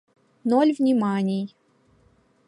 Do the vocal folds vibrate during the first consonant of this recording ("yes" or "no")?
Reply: yes